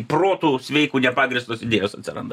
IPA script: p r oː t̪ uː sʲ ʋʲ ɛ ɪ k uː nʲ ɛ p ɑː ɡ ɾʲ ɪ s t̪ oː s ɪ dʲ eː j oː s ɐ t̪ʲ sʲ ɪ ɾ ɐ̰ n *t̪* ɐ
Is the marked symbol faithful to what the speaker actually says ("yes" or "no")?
no